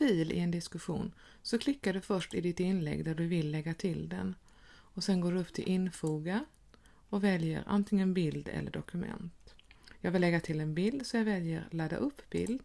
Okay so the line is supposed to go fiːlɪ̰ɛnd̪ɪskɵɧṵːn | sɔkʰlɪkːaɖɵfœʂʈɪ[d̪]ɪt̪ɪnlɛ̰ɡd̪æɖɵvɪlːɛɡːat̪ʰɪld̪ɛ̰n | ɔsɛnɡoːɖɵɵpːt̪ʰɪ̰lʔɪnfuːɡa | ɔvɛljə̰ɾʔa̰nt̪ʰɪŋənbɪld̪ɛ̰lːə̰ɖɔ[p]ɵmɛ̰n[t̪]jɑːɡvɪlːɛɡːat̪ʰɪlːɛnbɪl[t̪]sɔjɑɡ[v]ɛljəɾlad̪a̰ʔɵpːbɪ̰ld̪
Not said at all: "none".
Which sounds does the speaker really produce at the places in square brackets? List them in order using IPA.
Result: d̪, k, t̪, d̪, v

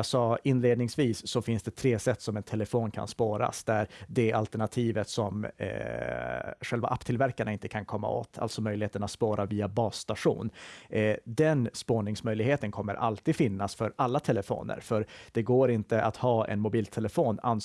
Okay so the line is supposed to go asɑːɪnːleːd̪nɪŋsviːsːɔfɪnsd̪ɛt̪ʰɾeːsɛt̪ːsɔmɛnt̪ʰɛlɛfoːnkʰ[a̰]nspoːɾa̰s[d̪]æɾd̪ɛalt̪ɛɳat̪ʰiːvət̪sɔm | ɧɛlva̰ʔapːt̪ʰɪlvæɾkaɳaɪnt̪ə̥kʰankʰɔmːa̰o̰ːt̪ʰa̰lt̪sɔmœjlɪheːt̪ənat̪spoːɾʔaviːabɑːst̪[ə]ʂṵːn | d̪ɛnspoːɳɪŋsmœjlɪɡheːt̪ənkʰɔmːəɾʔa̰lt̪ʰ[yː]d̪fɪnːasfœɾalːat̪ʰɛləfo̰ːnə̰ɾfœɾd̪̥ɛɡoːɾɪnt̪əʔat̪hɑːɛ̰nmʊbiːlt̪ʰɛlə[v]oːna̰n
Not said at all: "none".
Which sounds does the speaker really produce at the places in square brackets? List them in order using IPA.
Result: a̰, d̪, a, iː, f

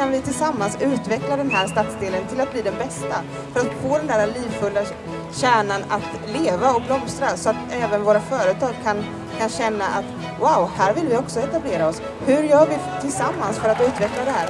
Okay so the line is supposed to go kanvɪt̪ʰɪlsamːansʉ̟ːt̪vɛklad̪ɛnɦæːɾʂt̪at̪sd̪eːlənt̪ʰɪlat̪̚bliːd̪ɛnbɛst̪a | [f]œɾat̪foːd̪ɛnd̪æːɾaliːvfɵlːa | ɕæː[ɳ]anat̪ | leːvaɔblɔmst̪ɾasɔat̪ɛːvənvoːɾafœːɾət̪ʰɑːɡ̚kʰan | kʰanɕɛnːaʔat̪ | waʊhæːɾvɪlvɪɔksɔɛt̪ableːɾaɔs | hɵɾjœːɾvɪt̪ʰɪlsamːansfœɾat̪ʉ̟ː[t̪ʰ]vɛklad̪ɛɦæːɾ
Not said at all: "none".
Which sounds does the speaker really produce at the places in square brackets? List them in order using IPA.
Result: f, ɳ, t̪

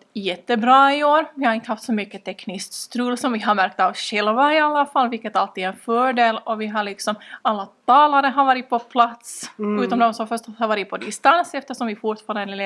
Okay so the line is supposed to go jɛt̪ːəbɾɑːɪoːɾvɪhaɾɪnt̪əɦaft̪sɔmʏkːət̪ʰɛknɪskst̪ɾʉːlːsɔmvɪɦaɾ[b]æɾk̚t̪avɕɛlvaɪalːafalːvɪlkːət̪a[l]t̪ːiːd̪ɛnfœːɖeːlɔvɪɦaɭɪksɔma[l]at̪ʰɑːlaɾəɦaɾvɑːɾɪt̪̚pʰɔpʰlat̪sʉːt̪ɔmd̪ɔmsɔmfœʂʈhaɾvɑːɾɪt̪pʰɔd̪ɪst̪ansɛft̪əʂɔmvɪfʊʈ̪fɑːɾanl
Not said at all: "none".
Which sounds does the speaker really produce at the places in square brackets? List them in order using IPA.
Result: m, l, lː

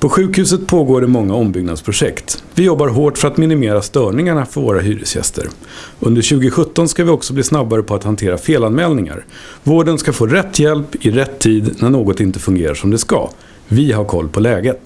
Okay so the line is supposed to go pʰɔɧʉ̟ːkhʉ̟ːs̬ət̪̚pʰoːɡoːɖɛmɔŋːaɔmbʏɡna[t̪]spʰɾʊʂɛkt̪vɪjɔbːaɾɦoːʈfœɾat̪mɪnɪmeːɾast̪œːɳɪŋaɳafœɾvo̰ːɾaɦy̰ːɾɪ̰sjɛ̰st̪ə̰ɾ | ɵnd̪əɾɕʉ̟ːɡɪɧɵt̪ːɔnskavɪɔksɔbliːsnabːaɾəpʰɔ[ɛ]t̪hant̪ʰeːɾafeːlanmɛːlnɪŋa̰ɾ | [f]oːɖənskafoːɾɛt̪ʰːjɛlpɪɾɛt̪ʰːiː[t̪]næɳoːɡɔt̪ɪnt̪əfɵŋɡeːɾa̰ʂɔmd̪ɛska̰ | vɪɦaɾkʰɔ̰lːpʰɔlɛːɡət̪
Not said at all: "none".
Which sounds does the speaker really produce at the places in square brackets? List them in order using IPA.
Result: d̪, a, v, d̪

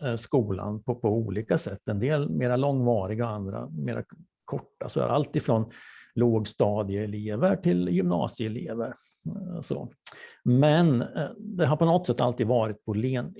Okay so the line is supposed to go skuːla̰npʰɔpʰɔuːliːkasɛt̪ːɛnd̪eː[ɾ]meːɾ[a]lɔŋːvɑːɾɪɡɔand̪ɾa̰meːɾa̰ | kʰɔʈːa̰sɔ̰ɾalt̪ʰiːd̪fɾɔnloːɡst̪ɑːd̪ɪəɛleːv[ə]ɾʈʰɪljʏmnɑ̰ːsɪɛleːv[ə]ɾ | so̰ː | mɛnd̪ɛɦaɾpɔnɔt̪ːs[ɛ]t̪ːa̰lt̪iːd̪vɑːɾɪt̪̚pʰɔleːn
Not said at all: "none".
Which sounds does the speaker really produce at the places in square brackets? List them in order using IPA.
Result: l, a, ə, ə, ɛ

